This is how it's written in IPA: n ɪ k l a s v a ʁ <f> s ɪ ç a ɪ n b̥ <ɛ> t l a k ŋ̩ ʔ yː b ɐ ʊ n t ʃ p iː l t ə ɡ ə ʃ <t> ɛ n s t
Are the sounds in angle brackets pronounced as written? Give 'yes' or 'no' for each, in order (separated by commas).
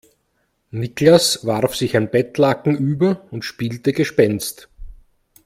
yes, yes, no